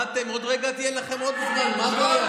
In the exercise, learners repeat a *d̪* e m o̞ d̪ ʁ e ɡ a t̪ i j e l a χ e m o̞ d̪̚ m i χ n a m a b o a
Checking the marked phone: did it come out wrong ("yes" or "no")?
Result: yes